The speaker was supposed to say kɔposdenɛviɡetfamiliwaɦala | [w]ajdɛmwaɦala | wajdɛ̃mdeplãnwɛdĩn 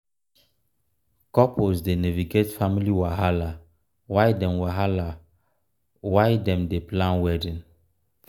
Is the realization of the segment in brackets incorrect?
no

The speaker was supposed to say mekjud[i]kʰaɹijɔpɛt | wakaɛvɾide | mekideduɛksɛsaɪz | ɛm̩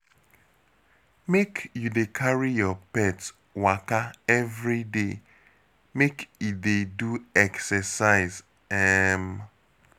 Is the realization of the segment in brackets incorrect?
yes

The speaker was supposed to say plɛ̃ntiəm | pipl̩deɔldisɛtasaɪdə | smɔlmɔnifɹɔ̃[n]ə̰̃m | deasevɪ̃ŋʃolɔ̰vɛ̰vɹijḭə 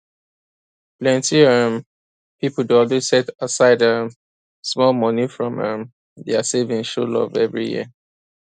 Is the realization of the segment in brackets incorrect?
yes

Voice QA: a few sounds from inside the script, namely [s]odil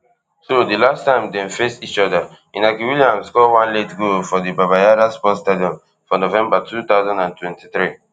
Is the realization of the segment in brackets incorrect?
no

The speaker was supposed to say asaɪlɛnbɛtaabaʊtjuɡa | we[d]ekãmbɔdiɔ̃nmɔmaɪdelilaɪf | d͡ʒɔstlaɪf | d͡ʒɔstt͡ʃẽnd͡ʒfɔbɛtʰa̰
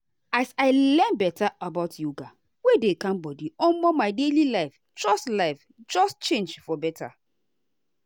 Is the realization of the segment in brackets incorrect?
no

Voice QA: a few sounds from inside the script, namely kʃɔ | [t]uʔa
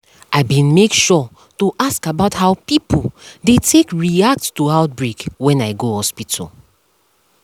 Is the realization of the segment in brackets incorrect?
no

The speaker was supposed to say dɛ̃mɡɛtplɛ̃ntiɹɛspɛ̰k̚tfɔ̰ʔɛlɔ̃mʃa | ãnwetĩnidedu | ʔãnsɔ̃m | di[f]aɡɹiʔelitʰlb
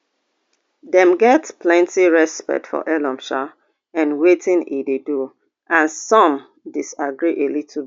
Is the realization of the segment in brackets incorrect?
yes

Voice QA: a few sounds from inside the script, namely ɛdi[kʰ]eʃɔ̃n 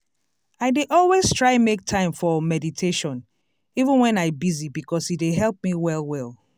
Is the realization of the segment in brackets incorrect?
yes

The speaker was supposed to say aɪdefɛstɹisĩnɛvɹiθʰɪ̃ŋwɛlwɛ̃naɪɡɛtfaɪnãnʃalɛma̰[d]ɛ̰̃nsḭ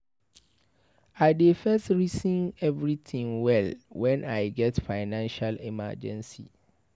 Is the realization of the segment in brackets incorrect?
yes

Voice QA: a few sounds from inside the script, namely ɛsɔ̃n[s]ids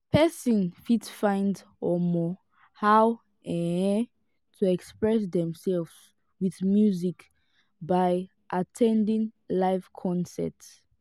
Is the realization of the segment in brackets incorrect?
yes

